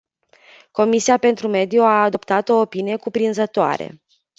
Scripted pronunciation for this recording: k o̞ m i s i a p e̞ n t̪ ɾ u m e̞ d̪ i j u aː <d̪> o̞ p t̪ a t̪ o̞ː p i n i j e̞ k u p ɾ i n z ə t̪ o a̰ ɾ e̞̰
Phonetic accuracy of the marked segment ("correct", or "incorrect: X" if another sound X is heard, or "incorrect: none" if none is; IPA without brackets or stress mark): correct